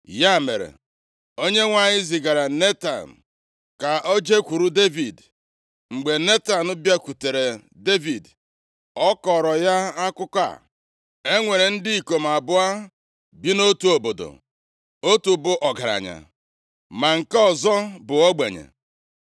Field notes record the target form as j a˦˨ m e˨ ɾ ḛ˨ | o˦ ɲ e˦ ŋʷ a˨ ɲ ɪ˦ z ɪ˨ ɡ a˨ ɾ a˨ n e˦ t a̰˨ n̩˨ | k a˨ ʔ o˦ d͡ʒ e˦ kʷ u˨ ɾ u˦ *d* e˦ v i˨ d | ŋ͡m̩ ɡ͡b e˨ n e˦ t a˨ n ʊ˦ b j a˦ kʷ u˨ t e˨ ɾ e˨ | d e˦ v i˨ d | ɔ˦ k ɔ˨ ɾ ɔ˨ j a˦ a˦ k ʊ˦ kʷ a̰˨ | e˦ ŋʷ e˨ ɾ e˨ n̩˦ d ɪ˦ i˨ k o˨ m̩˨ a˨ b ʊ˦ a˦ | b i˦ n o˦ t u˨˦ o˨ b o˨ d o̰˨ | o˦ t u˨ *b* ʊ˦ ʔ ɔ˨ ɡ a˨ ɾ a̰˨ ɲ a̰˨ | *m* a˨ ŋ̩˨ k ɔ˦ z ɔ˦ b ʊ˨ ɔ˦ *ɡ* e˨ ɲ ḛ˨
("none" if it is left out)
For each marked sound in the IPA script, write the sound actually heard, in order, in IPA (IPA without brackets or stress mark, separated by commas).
d, b, m, ɡ͡b